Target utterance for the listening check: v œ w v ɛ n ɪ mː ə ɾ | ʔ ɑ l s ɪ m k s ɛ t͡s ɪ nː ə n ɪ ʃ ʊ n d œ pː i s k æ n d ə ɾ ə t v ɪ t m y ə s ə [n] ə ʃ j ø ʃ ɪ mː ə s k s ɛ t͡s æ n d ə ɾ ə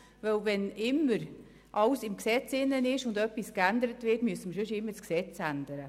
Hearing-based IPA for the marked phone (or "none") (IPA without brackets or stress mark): m